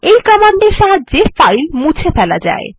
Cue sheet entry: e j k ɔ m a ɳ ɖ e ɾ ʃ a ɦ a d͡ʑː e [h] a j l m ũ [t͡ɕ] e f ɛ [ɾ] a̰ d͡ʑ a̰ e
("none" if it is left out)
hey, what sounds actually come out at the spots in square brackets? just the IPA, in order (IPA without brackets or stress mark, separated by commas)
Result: f, t͡ɕʰ, l